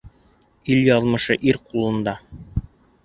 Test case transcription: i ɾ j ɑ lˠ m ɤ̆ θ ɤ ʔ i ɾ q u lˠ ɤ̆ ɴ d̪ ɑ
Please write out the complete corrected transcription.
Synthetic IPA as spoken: i l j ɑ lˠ m ɤ̆ ʃ ɤ ʔ i ɾ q u lˠ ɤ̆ n d̪ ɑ